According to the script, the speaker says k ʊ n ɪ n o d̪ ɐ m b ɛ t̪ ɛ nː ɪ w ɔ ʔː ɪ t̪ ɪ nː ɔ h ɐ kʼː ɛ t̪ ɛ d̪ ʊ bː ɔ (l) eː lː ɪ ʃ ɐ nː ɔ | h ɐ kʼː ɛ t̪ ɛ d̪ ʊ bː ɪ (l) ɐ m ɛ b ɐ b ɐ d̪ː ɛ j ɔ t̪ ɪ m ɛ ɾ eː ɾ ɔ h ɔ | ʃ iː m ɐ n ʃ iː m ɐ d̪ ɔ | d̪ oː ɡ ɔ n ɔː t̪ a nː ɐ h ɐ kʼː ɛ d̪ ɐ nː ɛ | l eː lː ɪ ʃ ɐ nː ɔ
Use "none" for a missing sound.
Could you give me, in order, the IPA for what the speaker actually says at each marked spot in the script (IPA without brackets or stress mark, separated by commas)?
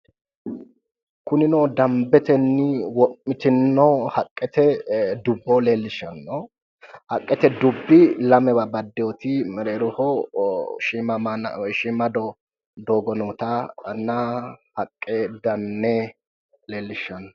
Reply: l, l